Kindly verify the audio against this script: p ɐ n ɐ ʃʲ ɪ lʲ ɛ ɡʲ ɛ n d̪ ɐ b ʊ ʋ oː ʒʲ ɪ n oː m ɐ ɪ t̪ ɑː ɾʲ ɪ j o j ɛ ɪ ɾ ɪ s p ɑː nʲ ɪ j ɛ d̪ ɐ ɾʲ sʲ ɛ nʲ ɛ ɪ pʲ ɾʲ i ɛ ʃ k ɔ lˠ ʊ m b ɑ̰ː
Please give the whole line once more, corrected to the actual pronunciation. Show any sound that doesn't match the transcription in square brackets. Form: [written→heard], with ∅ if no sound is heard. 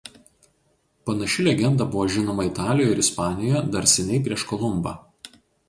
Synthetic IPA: p ɐ n ɐ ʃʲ ɪ lʲ ɛ ɡʲ ɛ n d̪ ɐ b ʊ ʋ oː ʒʲ ɪ n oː m ɐ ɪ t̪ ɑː [ɾʲ→lʲ] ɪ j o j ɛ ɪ ɾ ɪ s p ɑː nʲ ɪ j ɛ d̪ ɐ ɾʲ sʲ ɛ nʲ ɛ ɪ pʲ ɾʲ i ɛ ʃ k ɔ lˠ ʊ m b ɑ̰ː